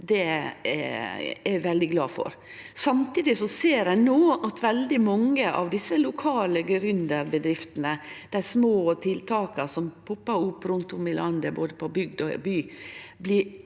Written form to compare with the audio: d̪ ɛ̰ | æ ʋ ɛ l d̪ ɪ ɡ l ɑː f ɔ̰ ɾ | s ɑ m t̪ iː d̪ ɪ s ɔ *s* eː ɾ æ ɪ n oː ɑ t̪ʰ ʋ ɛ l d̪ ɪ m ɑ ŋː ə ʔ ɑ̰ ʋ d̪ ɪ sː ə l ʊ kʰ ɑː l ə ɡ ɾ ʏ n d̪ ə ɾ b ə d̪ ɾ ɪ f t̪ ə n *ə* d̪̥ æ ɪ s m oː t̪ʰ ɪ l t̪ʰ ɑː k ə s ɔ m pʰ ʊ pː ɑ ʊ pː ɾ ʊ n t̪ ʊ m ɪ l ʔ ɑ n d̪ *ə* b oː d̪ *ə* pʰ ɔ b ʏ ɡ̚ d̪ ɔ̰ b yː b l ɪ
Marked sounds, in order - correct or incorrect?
correct, correct, correct, correct

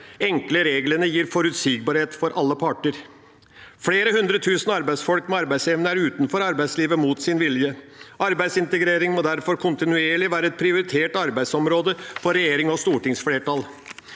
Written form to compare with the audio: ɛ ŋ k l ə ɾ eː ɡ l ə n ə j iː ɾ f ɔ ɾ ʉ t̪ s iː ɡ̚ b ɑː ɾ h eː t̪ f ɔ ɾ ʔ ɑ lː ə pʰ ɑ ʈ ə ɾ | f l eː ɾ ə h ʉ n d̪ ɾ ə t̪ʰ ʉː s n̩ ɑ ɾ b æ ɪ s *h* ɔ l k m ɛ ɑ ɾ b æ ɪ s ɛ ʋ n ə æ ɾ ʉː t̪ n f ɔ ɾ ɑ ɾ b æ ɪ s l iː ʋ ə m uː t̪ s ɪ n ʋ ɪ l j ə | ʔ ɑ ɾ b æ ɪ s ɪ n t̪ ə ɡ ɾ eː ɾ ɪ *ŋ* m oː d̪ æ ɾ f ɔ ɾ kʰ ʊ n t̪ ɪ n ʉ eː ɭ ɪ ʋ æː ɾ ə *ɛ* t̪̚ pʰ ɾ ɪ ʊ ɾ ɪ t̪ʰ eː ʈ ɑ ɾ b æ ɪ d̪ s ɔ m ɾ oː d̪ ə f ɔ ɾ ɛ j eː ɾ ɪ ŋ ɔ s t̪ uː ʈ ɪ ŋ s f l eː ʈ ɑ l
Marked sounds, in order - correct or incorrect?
incorrect: f, correct, correct

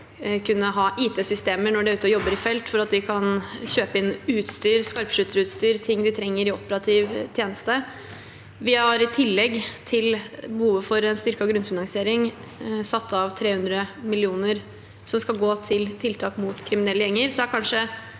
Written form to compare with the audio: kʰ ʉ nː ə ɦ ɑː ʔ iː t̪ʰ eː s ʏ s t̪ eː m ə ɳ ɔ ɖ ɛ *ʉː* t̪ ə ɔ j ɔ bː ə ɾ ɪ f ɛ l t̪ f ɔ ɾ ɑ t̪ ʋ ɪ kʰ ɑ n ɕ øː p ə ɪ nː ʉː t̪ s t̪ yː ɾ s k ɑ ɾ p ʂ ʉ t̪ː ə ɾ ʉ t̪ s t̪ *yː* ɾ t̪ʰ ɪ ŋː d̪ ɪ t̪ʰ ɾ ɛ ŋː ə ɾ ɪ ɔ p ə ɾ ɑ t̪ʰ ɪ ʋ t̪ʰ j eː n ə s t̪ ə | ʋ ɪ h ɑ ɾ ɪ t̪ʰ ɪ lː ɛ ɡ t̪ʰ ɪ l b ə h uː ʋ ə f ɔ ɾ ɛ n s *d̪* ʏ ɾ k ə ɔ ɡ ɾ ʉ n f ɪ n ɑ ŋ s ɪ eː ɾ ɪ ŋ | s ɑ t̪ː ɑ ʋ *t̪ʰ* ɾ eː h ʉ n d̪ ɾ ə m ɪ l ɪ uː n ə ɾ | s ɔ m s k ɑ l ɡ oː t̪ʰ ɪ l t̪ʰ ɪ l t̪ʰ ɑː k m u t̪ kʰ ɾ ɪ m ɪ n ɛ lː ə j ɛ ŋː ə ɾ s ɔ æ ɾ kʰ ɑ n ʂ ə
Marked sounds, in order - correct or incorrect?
correct, correct, incorrect: t̪, correct

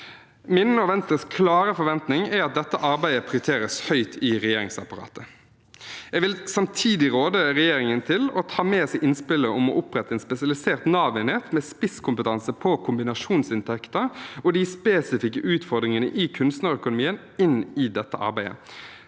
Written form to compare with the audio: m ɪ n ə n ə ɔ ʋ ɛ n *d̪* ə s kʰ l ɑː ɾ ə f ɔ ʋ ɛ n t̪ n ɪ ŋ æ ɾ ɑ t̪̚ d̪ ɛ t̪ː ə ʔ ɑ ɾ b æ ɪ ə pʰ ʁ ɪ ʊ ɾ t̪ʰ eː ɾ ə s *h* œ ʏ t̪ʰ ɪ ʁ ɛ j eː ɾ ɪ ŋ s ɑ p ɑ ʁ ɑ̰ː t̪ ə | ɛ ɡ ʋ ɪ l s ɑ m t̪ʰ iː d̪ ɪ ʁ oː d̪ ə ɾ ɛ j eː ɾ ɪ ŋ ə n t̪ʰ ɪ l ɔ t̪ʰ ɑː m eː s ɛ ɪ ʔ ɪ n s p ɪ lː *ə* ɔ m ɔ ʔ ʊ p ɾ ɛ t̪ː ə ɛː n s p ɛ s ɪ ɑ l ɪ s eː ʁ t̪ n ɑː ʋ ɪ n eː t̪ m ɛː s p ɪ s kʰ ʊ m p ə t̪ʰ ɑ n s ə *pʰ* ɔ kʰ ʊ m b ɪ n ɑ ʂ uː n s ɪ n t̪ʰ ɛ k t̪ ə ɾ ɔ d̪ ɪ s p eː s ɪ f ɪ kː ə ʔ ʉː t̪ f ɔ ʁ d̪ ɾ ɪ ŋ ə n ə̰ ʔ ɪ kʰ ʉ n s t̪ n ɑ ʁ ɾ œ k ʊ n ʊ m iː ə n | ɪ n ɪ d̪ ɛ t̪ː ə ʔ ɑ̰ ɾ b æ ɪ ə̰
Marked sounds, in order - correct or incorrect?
incorrect: t̪, correct, correct, correct

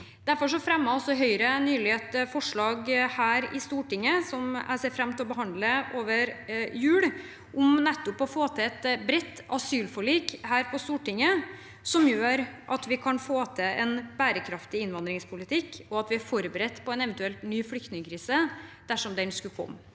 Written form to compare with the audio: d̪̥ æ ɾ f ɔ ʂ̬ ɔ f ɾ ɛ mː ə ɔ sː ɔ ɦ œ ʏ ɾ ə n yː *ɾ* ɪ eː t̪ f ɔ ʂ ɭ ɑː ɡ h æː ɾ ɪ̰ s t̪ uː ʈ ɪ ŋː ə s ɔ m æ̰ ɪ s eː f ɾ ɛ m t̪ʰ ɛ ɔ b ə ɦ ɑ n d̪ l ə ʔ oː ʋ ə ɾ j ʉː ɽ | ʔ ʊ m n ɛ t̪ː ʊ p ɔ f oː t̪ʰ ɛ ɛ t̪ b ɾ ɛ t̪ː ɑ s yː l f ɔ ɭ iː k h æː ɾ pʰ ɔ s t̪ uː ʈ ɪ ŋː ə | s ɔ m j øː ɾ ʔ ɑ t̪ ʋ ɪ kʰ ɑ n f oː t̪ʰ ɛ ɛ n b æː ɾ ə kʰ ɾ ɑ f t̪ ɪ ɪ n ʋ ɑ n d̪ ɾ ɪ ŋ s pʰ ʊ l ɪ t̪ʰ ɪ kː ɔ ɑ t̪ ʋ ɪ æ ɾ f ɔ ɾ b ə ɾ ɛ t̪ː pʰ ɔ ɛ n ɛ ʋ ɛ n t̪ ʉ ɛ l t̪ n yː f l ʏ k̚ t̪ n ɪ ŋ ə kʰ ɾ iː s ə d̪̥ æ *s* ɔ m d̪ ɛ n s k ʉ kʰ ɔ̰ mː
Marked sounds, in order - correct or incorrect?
incorrect: l, incorrect: ʂ

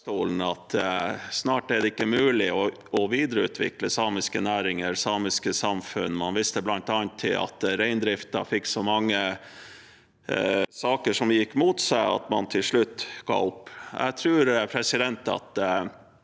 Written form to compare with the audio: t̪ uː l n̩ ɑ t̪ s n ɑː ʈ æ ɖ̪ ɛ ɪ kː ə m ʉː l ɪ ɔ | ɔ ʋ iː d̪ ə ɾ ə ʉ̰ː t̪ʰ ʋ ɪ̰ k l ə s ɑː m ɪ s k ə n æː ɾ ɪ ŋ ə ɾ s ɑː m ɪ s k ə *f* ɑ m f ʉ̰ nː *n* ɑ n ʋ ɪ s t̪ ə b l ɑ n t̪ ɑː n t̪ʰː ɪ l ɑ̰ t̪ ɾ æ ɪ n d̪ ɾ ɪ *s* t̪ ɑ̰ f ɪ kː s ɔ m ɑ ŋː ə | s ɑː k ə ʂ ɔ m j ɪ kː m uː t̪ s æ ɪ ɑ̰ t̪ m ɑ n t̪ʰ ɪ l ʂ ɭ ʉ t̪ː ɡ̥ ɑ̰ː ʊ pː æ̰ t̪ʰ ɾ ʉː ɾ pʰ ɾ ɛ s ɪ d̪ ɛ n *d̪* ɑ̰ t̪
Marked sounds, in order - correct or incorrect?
incorrect: s, incorrect: m, incorrect: f, incorrect: t̪

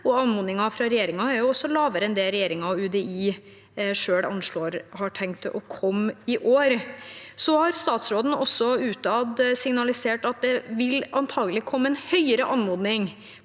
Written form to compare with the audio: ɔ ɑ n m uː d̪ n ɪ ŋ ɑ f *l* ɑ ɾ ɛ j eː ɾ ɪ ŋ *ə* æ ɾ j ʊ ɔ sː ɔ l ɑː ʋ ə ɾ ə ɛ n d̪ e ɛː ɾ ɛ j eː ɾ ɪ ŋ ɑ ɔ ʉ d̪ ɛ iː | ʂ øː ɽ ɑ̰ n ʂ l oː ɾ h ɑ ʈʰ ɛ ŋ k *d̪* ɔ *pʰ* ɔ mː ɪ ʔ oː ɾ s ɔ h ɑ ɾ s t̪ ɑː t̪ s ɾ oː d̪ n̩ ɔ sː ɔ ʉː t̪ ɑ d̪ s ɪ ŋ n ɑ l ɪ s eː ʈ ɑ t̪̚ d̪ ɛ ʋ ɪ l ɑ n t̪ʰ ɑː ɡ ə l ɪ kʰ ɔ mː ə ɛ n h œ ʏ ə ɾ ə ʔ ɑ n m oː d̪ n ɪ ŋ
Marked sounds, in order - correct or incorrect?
incorrect: ɾ, incorrect: ɑ, incorrect: t̪, incorrect: kʰ

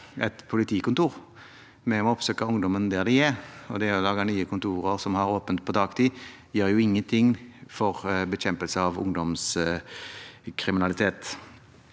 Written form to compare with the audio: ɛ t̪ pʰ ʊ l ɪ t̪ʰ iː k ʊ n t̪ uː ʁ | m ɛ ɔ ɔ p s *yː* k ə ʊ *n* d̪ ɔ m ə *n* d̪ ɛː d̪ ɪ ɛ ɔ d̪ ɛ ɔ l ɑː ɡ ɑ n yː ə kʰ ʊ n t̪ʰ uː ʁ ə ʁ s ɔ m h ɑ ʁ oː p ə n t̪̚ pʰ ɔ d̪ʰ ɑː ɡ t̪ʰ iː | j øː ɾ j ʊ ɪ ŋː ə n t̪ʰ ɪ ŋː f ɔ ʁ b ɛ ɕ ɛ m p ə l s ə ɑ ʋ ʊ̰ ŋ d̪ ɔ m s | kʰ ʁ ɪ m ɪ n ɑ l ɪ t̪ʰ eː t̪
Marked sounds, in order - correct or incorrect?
incorrect: øː, incorrect: ŋ, correct

